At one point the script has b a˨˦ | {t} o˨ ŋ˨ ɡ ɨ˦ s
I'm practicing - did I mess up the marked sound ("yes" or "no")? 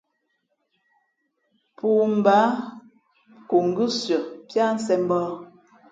yes